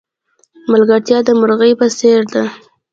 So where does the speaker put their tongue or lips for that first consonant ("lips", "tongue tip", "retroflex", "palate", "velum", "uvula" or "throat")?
lips